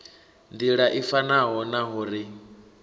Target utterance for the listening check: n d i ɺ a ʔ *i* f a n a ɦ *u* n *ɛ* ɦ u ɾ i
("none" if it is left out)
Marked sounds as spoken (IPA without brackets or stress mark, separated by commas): i, ɔ, a